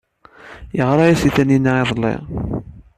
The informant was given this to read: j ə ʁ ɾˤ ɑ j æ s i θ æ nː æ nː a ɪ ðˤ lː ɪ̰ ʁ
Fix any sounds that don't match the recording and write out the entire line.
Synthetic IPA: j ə ʁ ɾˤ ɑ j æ s i θ æ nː i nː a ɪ ðˤ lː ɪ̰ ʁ